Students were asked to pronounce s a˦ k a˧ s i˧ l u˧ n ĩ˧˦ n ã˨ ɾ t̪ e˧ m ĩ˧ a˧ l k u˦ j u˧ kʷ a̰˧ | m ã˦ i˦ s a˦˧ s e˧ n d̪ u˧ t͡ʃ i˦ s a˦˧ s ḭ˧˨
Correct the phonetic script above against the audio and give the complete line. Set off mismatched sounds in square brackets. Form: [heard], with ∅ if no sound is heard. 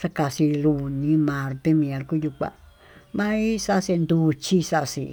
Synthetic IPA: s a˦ k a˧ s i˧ l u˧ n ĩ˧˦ [m] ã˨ ɾ t̪ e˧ m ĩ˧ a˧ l k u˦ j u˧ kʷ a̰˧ | m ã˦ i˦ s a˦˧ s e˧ n d̪ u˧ t͡ʃ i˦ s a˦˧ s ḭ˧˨